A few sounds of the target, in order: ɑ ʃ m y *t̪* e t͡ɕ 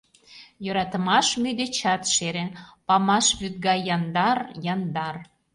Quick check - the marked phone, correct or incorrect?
incorrect: d̪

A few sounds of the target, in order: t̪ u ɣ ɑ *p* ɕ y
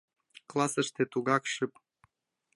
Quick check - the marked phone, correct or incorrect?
incorrect: k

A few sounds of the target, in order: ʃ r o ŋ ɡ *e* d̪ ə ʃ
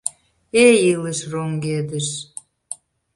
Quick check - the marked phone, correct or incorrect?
correct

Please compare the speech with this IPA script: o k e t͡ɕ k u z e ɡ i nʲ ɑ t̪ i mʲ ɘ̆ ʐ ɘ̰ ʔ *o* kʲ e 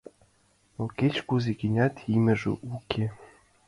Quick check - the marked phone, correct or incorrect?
incorrect: u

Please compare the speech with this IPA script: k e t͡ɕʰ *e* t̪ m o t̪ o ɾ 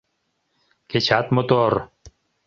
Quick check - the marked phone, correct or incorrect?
incorrect: a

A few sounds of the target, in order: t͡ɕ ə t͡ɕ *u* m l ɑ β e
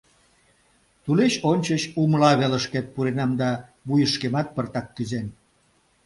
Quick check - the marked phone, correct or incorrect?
correct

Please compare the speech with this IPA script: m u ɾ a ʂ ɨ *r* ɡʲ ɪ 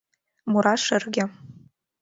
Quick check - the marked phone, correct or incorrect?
correct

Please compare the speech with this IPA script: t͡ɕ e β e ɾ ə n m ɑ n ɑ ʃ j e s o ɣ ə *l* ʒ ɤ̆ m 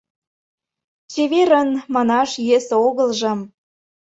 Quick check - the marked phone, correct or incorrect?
correct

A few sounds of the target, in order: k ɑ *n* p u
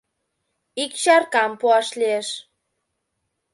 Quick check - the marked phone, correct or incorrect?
incorrect: m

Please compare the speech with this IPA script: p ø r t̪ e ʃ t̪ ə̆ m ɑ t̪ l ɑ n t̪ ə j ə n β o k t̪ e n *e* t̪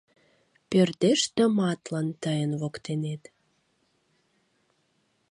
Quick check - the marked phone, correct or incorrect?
correct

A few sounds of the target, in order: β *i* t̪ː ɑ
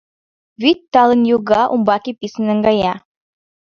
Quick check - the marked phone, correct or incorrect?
correct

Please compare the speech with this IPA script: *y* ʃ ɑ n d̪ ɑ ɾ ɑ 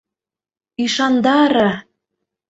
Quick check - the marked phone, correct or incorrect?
incorrect: i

